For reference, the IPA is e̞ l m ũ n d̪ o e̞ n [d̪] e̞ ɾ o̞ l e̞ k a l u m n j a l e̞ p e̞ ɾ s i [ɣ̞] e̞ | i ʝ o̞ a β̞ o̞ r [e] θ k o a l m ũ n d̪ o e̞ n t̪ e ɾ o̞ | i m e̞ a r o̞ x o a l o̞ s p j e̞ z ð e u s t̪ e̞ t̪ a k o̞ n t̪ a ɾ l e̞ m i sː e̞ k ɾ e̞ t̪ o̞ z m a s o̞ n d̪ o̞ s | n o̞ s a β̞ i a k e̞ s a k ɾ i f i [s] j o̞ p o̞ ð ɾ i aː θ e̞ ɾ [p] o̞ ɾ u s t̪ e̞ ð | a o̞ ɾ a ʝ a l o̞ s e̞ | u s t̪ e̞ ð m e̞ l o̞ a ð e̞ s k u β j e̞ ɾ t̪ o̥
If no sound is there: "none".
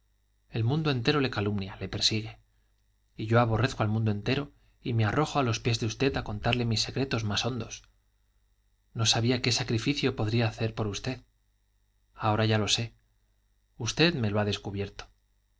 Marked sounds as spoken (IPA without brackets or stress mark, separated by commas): t̪, ɣ̞, e, θ, p